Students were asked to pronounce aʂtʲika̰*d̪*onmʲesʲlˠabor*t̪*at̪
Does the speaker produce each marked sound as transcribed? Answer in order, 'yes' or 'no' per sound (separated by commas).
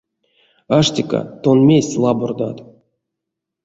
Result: no, no